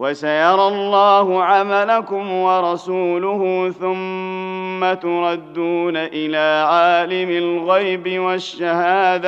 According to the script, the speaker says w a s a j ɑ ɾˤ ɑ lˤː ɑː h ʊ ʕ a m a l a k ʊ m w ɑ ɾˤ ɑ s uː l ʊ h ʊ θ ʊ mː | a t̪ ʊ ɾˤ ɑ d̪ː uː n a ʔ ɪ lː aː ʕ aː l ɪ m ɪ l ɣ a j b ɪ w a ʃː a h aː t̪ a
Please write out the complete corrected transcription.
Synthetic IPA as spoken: w a s a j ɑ ɾˤ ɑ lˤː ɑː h ʊ ʕ a m a l a k ʊ m w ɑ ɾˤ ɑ s uː l ʊ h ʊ θ ʊ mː | a t̪ ʊ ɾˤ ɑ d̪ː uː n a ʔ ɪ l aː ʕ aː l ɪ m ɪ l ɣ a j b ɪ w a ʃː a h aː d̪ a